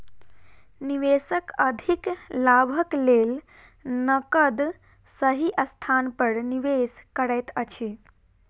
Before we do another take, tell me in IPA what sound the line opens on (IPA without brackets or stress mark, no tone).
n